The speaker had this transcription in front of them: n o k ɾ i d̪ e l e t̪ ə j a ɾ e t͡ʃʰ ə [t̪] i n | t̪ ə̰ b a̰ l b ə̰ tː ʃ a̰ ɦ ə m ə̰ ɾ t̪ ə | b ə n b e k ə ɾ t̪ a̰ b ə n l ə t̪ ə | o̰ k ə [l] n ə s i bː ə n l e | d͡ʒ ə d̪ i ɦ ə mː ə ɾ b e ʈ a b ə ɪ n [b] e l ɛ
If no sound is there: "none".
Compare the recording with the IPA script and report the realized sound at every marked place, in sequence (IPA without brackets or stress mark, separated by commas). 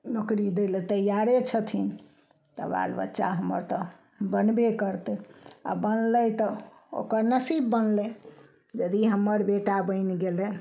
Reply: t̪ʰ, ɾ, ɡ